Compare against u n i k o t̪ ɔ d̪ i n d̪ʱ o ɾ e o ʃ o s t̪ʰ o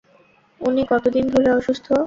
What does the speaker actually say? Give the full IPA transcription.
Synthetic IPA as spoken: u n i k ɔ t̪ o d̪ i n d̪ʱ o ɾ e ɔ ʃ u s t̪ʰ o